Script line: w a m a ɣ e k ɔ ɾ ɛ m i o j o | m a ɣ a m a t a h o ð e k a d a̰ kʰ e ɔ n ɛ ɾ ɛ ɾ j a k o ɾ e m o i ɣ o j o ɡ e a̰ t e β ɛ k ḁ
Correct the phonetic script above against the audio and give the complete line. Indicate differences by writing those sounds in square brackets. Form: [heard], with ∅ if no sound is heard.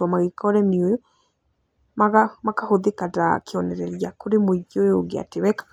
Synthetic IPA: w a m a ɣ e k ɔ ɾ ɛ m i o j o | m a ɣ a m a [k] a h o ð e k a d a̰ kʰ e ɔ n ɛ ɾ ɛ ɾ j a k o ɾ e m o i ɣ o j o ɡ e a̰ t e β ɛ k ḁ